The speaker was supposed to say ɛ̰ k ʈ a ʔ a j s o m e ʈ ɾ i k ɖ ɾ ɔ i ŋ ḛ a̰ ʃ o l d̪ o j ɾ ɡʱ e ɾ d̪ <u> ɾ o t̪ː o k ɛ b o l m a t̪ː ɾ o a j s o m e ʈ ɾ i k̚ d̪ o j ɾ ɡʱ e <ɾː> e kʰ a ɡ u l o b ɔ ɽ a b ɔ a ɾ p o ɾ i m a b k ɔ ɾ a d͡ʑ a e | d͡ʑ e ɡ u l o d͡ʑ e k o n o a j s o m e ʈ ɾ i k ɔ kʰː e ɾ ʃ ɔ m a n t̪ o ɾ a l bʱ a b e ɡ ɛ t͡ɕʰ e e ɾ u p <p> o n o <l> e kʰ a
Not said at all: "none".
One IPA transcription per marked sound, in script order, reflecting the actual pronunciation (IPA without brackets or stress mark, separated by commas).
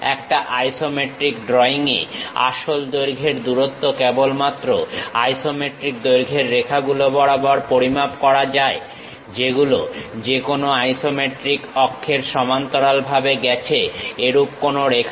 u, ɾː, k, ɾ